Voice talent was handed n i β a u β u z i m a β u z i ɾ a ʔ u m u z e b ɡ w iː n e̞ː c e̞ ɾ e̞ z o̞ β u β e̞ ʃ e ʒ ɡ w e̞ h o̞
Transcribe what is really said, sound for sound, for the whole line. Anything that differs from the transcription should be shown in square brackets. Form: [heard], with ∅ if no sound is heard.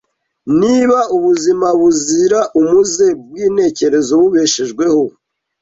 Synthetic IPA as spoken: n i β a u β u z i m a β u z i ɾ a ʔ u m u z e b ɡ w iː n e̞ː c e̞ ɾ e̞ z o̞ β u β e̞ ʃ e ʒ ɡ w e̞ h o̞